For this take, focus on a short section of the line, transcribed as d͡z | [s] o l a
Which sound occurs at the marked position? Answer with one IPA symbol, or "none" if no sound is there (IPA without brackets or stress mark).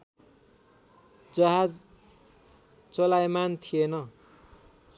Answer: t͡s